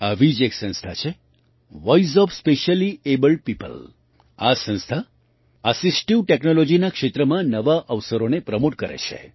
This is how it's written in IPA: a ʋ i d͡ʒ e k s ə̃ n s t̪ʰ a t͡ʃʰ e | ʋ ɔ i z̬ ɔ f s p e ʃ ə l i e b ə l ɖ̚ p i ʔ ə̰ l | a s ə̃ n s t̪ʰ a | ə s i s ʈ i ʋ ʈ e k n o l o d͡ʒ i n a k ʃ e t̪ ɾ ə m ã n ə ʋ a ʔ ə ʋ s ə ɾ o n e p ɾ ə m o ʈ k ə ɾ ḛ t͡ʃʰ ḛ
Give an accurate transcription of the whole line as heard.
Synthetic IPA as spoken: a ʋ i d͡ʒ e k s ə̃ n s t̪ʰ a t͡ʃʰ e | ʋ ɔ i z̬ ɔ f s p e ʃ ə l i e b ə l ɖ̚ p i p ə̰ l | a s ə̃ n s t̪ʰ a | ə s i s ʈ i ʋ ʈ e k n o l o d͡ʒ i n a k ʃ e t̪ ɾ ə m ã n ə ʋ a ʔ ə ʋ s ə ɾ o n e p ɾ ə m o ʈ k ə ɾ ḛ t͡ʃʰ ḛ

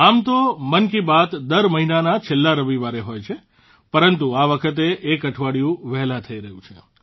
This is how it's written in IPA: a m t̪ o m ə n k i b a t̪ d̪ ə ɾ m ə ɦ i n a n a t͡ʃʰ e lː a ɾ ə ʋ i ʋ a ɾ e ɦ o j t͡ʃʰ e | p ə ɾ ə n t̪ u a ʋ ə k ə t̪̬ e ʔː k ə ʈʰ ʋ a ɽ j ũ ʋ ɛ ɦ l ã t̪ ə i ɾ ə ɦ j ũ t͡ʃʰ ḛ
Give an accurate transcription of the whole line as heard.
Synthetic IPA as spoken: a m t̪ o m ə n k i b a t̪ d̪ ə ɾ m ə ɦ i n a n a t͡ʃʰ e lː a ɾ ə ʋ i ʋ a ɾ e ɦ o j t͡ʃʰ e | p ə ɾ ə n t̪ u a ʋ ə kʰ ə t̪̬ e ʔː k ə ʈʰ ʋ a ɽ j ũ ʋ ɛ ɦ l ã t̪ʰ ə i ɾ ə ɦ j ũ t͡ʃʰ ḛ

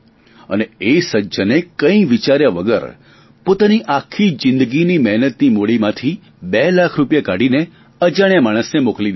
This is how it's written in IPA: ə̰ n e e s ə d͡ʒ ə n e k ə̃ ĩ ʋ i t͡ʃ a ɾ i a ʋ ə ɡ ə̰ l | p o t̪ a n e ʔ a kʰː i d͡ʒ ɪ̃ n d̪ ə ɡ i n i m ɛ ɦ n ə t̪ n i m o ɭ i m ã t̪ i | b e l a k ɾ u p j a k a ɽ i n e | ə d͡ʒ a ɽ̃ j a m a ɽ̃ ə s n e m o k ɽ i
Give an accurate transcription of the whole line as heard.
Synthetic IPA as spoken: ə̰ n e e s ə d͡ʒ ə n e k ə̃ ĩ ʋ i t͡ʃ a ɾ j a ʋ ə ɡ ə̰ ɾ | p o t̪ a n i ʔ a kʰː i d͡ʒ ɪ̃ n d̪ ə ɡ i n i m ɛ ɦ n ə t̪ n i m o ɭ i m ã t̪ʰ i | b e l a kʰ ɾ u p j a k a ɽ i n e | ə d͡ʒ a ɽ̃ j a m a ɽ̃ ə s n e m o k l i

